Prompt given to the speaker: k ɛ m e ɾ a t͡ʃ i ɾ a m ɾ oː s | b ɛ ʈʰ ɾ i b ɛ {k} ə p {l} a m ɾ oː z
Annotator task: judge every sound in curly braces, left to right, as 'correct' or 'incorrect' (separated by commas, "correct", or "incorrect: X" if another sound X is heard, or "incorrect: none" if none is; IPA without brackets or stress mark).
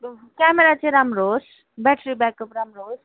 correct, incorrect: ɾ